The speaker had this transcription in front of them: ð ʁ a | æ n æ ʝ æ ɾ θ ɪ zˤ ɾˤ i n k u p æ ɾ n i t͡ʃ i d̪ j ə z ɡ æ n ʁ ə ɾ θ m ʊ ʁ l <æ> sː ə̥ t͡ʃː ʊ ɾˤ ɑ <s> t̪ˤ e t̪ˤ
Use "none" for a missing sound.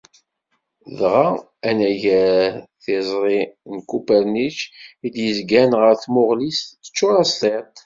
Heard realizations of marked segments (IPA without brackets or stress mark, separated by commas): i, s